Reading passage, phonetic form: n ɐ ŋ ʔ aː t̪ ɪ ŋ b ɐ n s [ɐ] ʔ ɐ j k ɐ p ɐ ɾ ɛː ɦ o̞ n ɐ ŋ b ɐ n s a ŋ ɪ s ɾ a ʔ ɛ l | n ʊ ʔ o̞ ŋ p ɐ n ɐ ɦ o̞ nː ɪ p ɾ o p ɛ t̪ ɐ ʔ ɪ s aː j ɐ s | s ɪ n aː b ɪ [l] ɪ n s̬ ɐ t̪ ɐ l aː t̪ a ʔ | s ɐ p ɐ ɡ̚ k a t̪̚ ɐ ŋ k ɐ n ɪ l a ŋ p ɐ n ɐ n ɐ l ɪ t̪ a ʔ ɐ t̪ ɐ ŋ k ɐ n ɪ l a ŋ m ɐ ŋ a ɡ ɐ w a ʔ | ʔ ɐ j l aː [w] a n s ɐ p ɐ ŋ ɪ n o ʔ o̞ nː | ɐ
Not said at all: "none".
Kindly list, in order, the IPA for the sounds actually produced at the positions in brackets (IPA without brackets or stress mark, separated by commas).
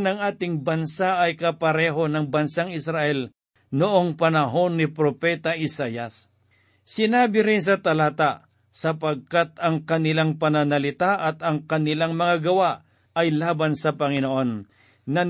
a, ɾ, b